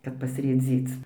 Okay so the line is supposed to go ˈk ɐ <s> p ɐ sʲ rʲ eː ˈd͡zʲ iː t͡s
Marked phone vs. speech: incorrect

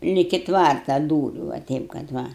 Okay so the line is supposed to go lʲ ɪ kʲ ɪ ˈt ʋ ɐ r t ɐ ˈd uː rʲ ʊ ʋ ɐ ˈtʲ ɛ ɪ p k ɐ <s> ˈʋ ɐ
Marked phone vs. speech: incorrect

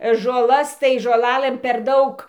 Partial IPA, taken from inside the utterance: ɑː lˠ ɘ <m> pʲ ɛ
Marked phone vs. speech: correct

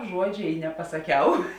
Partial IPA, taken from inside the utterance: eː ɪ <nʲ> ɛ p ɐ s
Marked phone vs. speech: correct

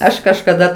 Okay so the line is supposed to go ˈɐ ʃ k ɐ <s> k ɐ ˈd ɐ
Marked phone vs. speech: incorrect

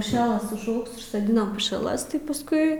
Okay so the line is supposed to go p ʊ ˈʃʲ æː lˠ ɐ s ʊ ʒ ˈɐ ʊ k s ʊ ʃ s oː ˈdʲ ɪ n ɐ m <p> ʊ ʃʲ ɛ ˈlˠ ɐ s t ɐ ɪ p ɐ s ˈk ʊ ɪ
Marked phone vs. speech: correct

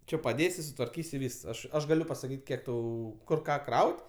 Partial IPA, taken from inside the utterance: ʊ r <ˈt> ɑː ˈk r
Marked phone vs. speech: incorrect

